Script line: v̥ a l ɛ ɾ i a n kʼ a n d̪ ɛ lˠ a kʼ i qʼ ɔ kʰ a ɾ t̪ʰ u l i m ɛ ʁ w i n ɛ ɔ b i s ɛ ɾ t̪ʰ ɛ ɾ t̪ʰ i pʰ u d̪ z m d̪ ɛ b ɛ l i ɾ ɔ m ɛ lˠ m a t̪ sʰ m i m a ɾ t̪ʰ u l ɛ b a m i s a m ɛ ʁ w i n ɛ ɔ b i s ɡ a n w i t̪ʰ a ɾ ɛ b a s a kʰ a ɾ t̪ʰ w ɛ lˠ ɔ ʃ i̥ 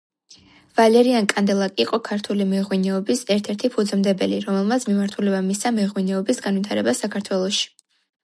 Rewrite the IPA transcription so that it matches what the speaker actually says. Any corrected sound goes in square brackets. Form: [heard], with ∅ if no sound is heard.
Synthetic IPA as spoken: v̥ a l ɛ ɾ i a n kʼ a n d̪ ɛ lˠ a kʼ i qʼ ɔ kʰ a ɾ t̪ʰ u l i m ɛ ʁ w i n ɛ ɔ b i s ɛ ɾ t̪ʰ ɛ ɾ t̪ʰ i pʰ u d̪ z m d̪ ɛ b ɛ l i ɾ ɔ m ɛ lˠ m a t̪ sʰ m i m a ɾ t̪ʰ u l ɛ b a m i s a m ɛ ʁ w i n ɛ ɔ b i s ɡ a n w i t̪ʰ a ɾ ɛ b a s a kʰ a ɾ t̪ʰ w ɛ lˠ ɔ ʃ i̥